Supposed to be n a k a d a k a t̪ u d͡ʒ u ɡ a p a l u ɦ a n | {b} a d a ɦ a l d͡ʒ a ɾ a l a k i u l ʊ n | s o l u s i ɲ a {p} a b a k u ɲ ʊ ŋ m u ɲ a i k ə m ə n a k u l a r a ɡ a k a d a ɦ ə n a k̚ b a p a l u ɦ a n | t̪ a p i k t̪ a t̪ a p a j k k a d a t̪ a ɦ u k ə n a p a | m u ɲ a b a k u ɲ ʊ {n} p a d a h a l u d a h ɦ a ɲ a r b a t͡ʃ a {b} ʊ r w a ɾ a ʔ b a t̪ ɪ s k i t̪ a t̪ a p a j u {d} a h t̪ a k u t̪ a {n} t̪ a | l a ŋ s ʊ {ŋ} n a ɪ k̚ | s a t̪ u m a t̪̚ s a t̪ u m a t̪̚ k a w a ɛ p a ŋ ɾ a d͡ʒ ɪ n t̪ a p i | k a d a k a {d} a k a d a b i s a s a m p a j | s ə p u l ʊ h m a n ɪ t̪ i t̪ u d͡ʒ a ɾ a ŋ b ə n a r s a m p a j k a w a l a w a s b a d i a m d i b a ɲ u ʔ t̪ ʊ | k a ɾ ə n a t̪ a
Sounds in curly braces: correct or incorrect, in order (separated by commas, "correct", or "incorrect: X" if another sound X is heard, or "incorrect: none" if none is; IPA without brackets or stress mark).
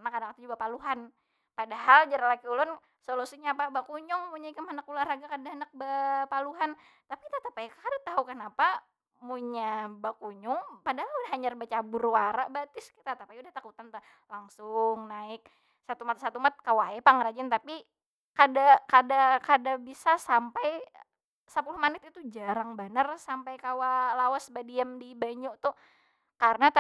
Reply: incorrect: p, correct, incorrect: ŋ, correct, correct, correct, correct, correct